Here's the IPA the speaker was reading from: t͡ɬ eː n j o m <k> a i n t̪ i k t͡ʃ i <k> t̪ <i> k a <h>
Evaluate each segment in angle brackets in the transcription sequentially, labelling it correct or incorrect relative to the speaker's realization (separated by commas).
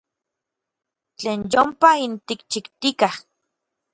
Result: incorrect, correct, correct, correct